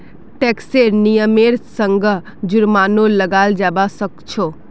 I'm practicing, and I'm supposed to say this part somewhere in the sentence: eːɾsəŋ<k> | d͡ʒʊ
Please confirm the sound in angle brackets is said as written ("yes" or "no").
no